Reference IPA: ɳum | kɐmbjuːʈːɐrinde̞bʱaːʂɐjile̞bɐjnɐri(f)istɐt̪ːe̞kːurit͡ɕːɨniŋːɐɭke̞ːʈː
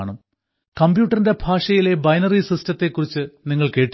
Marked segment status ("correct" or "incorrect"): incorrect